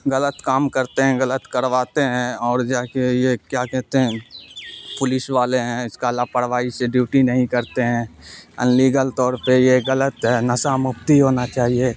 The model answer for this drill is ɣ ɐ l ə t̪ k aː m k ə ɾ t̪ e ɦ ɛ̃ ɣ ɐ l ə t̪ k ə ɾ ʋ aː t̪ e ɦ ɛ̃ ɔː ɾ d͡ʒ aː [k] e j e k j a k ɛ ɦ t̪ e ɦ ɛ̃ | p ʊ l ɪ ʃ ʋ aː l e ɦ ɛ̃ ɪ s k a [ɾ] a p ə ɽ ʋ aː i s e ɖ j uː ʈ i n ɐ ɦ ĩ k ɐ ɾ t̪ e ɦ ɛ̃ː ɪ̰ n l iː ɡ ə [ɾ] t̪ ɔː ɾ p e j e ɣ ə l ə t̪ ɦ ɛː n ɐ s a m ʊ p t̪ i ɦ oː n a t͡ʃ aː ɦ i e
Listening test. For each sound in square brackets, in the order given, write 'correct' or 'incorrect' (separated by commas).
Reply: correct, incorrect, incorrect